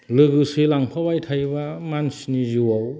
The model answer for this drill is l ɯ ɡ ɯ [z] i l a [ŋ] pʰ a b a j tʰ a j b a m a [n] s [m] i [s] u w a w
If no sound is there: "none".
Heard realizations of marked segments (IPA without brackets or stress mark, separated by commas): s, ŋ, n, n, z